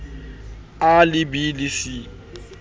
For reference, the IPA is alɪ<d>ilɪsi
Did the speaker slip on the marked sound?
yes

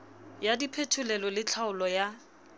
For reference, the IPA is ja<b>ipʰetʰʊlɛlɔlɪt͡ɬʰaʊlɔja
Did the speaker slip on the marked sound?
yes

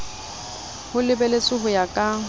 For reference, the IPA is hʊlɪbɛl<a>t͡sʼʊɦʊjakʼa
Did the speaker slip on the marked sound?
yes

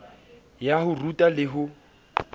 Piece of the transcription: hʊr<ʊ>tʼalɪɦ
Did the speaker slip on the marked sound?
yes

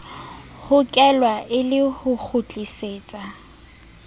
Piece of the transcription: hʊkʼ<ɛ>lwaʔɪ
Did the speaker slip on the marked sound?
no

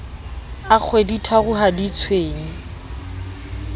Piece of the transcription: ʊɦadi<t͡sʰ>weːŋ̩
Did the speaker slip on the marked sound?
no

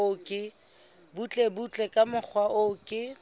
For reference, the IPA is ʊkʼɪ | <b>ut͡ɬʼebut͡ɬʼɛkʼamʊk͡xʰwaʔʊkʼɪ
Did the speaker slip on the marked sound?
no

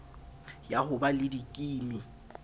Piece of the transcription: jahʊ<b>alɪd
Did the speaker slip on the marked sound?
no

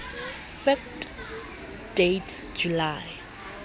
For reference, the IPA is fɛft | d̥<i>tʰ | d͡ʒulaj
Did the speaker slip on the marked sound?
yes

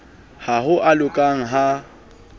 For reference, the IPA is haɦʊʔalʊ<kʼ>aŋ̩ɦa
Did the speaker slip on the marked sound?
no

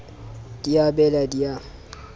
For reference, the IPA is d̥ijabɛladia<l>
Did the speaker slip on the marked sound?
yes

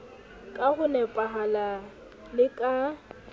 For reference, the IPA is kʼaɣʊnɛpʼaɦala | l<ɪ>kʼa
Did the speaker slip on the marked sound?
no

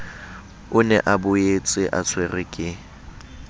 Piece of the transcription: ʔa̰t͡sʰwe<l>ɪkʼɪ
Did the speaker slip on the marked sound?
yes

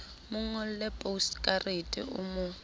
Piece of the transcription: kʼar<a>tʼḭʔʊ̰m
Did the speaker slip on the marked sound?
yes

